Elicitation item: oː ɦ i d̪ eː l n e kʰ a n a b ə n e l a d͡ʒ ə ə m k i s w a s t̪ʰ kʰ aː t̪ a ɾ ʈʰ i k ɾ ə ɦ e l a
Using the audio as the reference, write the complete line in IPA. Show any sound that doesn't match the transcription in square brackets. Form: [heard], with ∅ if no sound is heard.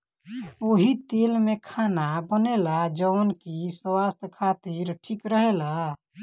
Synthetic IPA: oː ɦ i [t̪] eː l [m] e kʰ a n a b ə n e l a d͡ʒ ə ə [n] k i s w a s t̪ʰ kʰ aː t̪ [i] ɾ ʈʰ i k ɾ ə ɦ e l a